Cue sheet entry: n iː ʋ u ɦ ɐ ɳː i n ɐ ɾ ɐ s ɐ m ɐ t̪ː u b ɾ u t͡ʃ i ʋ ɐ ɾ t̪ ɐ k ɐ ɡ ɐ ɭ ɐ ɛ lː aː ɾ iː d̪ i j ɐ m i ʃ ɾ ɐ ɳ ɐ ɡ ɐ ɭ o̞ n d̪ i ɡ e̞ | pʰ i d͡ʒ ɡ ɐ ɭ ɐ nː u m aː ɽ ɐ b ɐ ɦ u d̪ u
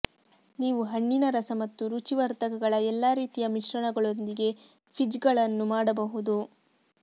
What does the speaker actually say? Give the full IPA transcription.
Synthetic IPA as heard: n iː ʋ u ɦ ɐ ɳː i n ɐ ɾ ɐ s ɐ m ɐ t̪ː u ɾ u t͡ʃ i ʋ ɐ ɾ t̪ ɐ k ɐ ɡ ɐ ɭ ɐ ɛ lː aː ɾ iː t̪ i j ɐ m i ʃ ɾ ɐ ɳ ɐ ɡ ɐ ɭ o̞ n d̪ i ɡ e̞ | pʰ i d͡ʒ ɡ ɐ ɭ ɐ nː u m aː ɽ ɐ b ɐ ɦ u d̪ u